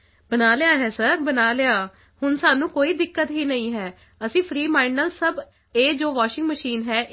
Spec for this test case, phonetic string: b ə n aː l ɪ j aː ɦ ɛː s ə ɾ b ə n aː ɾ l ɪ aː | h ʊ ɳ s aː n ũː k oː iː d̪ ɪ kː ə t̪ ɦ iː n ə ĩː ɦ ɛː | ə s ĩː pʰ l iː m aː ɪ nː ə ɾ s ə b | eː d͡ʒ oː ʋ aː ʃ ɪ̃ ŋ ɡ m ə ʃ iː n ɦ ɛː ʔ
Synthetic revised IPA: b ə n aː l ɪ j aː ɦ ɛː s ə ɾ b ə n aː l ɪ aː | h ʊ n s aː n ũː k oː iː d̪ ɪ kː ə t̪ ɦ iː n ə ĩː ɦ ɛː | ə s ĩː pʰ ɾ iː m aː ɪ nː ə l s ə b | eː d͡ʒ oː ʋ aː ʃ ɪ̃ ŋ ɡ m ə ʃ iː n ɦ ɛː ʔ